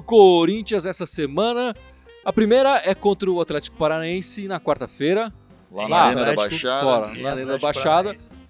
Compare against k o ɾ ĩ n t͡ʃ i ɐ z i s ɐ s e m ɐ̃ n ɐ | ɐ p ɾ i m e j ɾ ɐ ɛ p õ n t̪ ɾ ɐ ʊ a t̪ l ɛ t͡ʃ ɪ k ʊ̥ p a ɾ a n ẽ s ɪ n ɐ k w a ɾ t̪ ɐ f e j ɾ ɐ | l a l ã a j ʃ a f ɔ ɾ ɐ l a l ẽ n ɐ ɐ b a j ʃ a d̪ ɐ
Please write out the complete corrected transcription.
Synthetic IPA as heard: k o ɾ ĩ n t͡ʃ i ɐ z ɛ s ɐ s e m ɐ̃ n ɐ | ɐ p ɾ i m e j ɾ ɐ ɛ k õ n t̪ ɾ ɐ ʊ a t̪ l ɛ t͡ʃ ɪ k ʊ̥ p a ɾ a n ẽ s ɪ n ɐ k w a ɾ t̪ ɐ f e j ɾ ɐ | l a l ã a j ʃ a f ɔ ɾ ɐ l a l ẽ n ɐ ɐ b a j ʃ a d̪ ɐ